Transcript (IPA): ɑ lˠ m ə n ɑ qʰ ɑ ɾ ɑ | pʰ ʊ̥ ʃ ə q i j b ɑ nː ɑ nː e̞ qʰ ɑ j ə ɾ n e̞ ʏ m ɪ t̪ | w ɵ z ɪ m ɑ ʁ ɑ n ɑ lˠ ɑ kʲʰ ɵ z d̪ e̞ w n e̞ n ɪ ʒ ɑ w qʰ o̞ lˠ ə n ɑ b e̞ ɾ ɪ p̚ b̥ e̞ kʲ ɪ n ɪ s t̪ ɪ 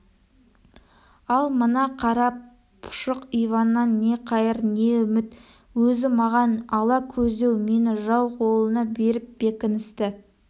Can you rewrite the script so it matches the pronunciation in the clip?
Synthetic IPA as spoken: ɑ lˠ m ə n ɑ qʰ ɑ ɾ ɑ | pʰ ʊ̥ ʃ ə q i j v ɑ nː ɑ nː e̞ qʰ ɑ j ə ɾ n e̞ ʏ m ɪ t̪ | w ɵ z ɪ m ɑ ʁ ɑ n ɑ lˠ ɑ kʲʰ ɵ z d̪ e̞ w m e̞ n ɪ ʒ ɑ w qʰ o̞ lˠ ə n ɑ b e̞ ɾ ɪ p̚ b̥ e̞ kʲ ɪ n ɪ s t̪ ɪ